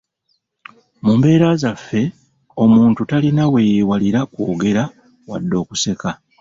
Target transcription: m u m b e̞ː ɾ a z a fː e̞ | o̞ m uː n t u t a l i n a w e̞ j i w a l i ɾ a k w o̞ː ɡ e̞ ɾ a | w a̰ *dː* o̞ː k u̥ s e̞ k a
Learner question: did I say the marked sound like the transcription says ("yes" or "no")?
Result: yes